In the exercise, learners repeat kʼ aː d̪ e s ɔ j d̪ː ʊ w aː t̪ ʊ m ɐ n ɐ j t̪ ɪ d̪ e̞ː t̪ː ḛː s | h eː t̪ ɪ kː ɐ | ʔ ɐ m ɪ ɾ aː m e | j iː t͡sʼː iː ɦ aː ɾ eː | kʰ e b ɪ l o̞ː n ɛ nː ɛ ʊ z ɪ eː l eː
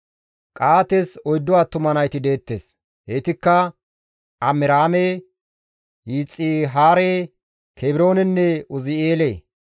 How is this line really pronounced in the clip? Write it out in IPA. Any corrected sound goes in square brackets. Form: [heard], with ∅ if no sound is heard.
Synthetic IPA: kʼ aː [t̪] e s ɔ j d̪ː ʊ w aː t̪ ʊ m ɐ n ɐ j t̪ ɪ d̪ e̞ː t̪ː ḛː s | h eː t̪ ɪ kː ɐ | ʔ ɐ m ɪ ɾ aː m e | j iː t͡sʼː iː ɦ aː ɾ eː | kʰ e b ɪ [ɾ] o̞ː n ɛ nː ɛ ʊ z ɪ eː l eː